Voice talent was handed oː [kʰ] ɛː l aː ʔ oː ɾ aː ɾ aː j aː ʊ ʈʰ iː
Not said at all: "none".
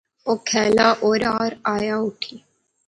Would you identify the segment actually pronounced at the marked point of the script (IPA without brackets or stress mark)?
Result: kʰ